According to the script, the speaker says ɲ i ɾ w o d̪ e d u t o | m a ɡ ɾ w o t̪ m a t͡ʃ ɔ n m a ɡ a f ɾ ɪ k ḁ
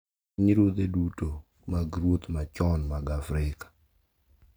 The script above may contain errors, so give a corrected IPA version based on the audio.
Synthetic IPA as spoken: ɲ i ɾ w o d̪ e d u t o | m a ɡ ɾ w o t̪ m a t͡ʃ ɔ n m a ɡ a f ɾ ɪ k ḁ